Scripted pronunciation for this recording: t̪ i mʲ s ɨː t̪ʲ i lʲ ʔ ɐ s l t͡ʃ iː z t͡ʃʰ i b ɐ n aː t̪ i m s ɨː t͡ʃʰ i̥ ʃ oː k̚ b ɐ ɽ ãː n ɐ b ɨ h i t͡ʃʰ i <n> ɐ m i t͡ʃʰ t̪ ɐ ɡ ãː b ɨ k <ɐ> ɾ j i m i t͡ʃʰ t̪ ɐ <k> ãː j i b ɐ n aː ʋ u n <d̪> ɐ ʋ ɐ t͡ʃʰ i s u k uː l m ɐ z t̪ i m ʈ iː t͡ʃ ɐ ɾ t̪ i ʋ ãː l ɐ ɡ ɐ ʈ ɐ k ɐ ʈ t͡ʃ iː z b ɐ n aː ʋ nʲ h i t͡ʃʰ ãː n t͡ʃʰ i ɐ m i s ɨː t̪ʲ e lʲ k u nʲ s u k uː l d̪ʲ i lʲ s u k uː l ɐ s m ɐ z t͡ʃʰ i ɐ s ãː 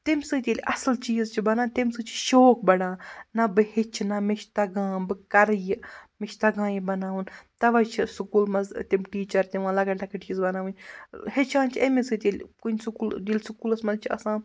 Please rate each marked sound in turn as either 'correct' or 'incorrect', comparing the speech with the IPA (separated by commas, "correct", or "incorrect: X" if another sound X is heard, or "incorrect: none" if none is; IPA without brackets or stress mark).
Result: correct, correct, incorrect: ɡ, incorrect: t̪